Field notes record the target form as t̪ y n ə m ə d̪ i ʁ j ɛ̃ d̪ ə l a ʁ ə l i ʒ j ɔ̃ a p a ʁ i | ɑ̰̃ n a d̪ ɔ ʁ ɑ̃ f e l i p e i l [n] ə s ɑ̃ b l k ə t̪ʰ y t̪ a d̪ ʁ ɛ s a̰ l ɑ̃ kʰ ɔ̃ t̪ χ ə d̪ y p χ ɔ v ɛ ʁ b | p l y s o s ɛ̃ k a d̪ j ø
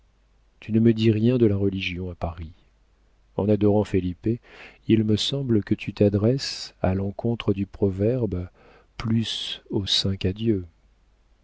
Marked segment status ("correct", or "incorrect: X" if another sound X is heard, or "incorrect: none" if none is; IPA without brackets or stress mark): incorrect: m